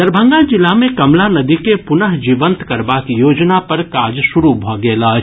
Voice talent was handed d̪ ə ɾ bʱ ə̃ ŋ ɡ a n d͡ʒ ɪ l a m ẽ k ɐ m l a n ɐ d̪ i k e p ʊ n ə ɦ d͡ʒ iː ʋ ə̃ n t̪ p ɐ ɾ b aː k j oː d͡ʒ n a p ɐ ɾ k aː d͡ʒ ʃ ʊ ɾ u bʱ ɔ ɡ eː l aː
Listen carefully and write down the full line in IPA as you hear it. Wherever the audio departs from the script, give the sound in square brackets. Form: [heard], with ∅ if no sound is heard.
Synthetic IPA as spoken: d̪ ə ɾ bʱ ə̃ ŋ ɡ a [∅] d͡ʒ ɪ l a m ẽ k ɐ m l a n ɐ d̪ i k e p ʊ n ə ɦ d͡ʒ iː ʋ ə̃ n t̪ [k] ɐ ɾ b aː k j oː d͡ʒ n a p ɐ ɾ k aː d͡ʒ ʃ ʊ ɾ u bʱ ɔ ɡ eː l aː